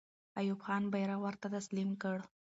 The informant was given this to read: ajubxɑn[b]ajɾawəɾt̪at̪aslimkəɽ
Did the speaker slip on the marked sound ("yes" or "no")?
no